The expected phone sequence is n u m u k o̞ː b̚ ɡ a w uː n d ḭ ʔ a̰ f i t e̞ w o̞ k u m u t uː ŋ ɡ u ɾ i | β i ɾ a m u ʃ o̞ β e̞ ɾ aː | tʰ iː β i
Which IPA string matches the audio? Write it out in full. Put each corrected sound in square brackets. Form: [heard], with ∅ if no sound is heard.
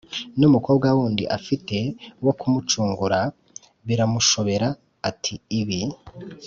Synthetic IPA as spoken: n u m u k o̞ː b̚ ɡ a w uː n d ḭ ʔ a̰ f i t e̞ w o̞ k u m u [t͡ʃ] uː ŋ ɡ u ɾ [a] | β i ɾ a m u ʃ o̞ β e̞ ɾ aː | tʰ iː β i